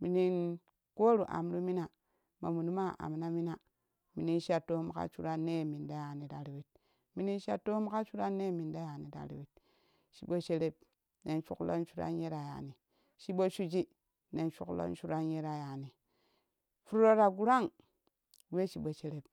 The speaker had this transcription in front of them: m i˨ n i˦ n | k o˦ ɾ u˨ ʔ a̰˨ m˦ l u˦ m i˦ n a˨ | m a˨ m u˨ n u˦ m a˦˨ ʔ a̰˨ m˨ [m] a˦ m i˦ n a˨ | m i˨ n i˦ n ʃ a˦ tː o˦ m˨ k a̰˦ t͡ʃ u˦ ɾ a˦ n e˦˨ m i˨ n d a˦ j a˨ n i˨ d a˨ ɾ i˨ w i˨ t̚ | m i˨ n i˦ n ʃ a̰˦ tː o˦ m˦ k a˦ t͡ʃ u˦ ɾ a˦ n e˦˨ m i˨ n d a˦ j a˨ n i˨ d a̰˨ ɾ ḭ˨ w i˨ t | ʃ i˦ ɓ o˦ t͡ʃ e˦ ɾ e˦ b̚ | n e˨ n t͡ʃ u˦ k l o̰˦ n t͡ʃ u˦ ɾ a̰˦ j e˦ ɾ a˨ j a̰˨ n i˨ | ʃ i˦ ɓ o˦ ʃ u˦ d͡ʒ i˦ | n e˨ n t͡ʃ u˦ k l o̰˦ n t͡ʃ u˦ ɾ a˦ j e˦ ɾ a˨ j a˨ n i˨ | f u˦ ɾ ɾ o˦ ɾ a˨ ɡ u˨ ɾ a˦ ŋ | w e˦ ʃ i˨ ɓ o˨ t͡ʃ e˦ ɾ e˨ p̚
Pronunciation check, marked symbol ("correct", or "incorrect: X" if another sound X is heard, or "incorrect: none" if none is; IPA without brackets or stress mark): incorrect: n